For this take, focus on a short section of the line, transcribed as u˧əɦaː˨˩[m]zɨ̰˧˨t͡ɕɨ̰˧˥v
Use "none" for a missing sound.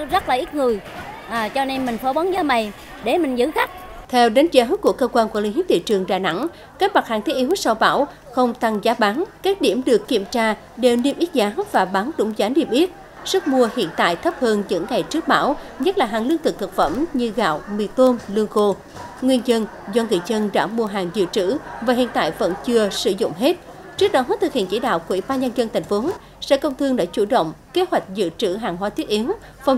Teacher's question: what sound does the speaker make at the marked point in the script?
ŋ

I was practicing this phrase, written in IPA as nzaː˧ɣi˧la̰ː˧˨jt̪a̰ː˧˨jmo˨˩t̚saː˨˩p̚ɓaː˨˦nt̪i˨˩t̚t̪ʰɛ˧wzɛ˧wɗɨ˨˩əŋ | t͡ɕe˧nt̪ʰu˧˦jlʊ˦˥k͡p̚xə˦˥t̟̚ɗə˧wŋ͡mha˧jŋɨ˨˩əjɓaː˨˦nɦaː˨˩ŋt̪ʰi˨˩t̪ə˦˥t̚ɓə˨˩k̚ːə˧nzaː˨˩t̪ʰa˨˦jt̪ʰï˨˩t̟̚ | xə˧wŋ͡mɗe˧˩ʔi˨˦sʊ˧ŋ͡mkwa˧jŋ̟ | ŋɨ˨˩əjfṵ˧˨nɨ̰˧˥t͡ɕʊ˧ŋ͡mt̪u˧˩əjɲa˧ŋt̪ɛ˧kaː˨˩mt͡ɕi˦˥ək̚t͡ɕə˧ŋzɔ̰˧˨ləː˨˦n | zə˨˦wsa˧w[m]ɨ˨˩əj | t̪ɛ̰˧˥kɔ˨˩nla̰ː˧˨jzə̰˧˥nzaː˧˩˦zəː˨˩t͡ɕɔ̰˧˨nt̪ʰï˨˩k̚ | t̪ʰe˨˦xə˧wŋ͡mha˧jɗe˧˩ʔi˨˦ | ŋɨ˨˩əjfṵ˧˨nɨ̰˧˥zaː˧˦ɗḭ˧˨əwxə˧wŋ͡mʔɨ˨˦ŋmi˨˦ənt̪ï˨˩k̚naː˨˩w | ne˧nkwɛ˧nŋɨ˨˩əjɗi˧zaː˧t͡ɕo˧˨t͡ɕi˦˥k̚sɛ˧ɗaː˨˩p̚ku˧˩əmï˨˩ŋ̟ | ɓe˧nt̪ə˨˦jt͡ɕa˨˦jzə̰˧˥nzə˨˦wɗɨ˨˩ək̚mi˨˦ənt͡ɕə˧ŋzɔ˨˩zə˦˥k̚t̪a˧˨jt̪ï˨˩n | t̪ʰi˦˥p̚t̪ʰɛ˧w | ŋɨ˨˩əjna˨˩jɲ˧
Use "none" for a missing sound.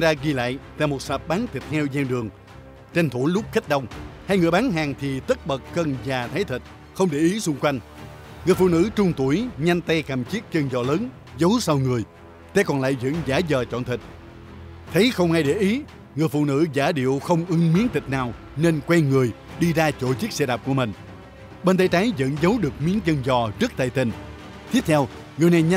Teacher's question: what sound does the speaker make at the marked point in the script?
ŋ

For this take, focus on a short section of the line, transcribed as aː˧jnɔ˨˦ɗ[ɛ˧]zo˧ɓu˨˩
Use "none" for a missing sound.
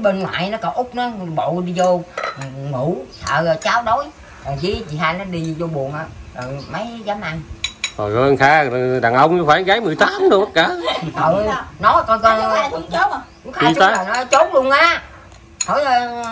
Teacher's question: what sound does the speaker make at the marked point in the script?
i˧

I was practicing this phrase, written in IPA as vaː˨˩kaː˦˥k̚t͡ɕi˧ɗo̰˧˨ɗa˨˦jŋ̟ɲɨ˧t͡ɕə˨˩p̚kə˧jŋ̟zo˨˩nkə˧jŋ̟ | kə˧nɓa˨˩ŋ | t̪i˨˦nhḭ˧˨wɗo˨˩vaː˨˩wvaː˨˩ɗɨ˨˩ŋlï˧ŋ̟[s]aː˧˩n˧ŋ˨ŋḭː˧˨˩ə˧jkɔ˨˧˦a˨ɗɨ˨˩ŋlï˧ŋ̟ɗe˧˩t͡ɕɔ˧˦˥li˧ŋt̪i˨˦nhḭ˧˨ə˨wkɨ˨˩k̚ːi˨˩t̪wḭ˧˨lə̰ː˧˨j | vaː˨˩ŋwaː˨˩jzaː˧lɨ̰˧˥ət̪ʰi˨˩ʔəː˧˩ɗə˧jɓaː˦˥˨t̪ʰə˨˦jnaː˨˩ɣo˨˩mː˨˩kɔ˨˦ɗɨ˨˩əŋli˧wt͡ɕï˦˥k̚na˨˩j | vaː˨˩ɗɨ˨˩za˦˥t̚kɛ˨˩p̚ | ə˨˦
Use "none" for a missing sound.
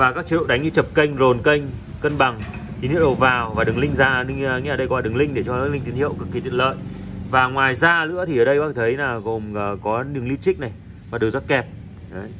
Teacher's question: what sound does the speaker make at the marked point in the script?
z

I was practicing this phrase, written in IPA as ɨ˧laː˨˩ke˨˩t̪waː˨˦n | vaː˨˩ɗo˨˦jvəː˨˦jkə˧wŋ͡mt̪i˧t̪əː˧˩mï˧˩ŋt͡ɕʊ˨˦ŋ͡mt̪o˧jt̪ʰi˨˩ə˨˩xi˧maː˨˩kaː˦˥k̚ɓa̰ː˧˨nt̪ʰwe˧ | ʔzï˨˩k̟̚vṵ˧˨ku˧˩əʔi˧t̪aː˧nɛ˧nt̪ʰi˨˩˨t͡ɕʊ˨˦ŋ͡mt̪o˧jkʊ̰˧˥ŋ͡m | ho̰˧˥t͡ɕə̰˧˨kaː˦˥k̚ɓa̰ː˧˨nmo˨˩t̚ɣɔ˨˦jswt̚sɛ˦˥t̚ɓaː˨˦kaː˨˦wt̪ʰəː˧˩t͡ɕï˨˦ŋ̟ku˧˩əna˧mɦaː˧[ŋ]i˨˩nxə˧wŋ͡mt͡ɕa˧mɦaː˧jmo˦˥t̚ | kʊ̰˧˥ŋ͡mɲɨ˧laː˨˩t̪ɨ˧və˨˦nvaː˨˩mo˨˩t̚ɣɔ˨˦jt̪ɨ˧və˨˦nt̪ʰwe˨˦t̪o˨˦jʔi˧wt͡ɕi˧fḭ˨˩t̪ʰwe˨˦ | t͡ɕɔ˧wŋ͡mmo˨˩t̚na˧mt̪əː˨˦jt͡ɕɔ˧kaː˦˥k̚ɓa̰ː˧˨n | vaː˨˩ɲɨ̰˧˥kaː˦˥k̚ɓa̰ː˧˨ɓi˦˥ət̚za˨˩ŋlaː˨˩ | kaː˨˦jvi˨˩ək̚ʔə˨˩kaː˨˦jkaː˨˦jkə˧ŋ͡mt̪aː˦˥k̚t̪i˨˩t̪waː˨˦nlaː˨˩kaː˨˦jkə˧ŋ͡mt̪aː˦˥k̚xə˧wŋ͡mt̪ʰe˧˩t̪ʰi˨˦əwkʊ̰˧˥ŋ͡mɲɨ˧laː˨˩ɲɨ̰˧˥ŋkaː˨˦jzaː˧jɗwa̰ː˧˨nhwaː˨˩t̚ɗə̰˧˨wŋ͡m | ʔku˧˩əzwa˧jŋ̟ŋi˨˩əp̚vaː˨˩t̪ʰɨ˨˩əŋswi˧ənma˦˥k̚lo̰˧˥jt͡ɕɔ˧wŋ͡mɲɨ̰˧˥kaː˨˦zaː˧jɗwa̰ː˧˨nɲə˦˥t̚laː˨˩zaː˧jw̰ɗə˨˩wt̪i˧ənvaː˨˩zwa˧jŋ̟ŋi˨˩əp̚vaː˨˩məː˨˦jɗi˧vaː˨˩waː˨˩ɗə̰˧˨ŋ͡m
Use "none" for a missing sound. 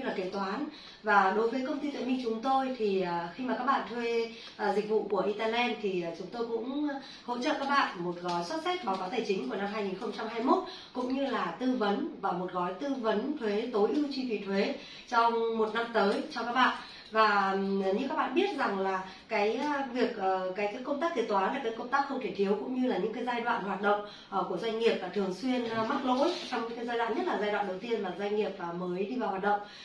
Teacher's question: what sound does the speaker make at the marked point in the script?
ŋ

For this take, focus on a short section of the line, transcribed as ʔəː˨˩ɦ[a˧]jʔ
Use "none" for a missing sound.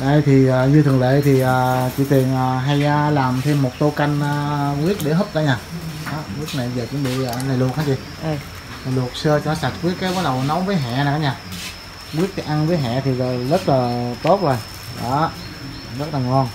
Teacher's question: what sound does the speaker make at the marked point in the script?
a˧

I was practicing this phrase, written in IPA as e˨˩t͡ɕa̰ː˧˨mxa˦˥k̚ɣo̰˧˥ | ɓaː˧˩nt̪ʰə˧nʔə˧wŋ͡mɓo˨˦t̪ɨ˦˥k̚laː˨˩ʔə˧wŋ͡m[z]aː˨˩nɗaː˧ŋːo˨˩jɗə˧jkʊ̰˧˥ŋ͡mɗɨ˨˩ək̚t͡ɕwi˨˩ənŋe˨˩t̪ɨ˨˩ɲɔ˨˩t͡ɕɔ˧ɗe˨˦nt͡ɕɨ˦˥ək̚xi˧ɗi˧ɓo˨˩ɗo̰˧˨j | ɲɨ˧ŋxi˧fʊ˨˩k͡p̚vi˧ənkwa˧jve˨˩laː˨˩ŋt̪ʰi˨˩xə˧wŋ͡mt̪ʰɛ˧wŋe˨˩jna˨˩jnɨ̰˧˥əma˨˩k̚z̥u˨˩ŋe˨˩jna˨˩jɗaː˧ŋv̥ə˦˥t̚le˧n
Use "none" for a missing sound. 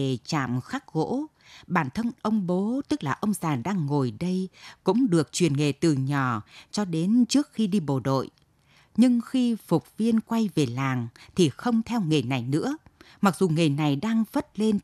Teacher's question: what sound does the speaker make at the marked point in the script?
z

